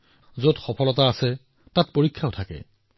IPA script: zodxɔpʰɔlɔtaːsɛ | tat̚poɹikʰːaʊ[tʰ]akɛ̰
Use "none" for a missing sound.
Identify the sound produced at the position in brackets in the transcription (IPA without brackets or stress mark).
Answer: tʰ